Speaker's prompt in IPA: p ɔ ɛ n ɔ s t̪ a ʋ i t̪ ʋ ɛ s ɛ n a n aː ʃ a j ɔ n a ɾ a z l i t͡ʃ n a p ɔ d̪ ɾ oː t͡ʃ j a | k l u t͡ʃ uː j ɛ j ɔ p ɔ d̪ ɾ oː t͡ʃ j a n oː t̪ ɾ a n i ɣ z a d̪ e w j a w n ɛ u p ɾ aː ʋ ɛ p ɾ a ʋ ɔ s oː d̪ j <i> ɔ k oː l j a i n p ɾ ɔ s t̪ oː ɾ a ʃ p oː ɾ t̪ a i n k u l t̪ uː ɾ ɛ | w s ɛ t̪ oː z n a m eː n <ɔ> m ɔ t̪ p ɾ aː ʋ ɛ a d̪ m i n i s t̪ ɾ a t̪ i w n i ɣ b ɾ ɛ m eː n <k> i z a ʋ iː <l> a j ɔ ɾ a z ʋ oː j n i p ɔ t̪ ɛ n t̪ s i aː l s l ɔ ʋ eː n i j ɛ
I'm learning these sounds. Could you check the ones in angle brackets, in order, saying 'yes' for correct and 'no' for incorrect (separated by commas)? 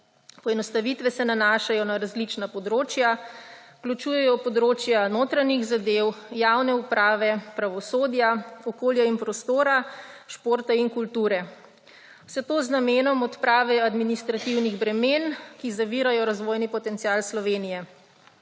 no, yes, yes, no